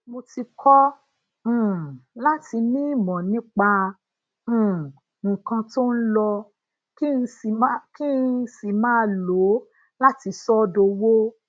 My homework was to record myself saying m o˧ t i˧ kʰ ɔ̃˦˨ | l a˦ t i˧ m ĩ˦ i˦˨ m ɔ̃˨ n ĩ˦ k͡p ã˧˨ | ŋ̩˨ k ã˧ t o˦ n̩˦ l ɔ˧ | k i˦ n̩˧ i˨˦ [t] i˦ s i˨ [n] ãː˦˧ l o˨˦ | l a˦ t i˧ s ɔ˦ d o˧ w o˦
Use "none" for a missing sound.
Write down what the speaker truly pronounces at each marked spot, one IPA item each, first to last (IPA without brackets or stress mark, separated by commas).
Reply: k, m